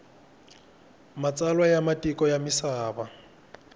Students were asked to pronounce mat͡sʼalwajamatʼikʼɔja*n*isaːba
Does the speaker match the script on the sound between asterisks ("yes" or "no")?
no